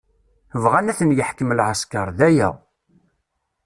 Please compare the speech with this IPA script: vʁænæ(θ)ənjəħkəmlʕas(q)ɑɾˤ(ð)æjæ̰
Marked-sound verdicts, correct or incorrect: correct, incorrect, correct

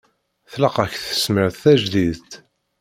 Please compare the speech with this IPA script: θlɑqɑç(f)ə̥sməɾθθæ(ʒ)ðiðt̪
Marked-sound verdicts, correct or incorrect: incorrect, correct

